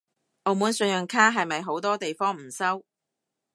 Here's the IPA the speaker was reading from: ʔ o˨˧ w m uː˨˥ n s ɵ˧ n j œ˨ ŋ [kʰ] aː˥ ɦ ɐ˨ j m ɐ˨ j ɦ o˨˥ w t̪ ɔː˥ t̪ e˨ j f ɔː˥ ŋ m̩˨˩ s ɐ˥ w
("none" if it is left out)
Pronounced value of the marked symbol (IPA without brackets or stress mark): kʰ